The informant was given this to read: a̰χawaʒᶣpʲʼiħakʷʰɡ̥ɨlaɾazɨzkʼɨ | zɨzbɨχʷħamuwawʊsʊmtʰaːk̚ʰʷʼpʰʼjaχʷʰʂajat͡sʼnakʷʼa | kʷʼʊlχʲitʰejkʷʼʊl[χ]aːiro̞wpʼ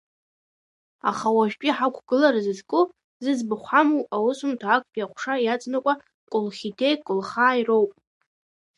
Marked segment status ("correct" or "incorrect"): correct